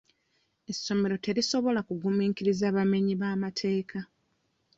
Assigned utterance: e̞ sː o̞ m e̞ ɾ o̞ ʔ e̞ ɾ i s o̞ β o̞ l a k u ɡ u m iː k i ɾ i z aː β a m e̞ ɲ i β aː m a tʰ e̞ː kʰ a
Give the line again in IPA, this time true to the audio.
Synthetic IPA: e̞ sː o̞ m e̞ ɾ o̞ t e̞ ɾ i s o̞ β o̞ l a k u ɡ u m iː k i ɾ i z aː β a m e̞ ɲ i β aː m a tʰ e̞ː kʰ a